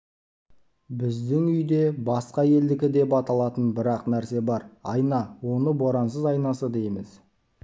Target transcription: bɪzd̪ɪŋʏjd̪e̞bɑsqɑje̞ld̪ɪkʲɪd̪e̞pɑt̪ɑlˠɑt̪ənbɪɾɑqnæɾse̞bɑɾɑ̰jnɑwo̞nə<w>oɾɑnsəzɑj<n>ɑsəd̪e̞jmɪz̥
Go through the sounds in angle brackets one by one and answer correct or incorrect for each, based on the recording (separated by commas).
incorrect, correct